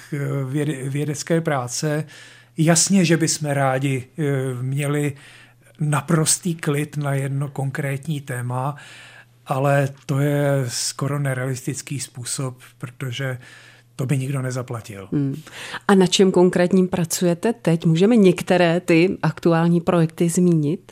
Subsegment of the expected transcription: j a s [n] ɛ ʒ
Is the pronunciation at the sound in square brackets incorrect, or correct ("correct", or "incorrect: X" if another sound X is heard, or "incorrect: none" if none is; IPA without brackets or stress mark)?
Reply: incorrect: ɲ